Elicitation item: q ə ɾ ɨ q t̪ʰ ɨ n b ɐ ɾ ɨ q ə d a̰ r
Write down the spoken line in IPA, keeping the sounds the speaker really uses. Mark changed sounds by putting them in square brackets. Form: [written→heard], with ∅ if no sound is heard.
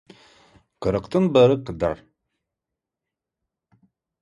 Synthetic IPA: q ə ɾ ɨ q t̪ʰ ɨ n b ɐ ɾ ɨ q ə d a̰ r